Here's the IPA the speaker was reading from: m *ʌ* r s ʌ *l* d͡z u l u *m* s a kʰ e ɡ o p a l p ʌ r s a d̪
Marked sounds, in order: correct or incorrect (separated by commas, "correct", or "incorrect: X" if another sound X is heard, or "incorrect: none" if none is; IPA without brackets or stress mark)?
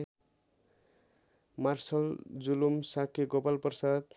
incorrect: a, correct, correct